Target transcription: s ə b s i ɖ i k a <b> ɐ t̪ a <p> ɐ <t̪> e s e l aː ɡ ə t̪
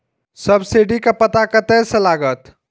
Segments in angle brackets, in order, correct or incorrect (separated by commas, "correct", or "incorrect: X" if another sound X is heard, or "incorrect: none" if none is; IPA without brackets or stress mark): incorrect: p, incorrect: k, correct